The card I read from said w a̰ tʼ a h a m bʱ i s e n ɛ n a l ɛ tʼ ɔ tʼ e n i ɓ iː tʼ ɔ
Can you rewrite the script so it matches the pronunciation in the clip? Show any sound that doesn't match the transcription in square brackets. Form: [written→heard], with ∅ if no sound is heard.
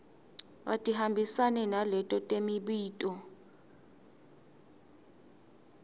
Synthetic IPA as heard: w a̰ tʼ [a→i] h a m bʱ i s [e→a] n ɛ n a l ɛ tʼ ɔ tʼ e [n→m] i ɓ iː tʼ ɔ